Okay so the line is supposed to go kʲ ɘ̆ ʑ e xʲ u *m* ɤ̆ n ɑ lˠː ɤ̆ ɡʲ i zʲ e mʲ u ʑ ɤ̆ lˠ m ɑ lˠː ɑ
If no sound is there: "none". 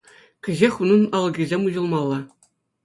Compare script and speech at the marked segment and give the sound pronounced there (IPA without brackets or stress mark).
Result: n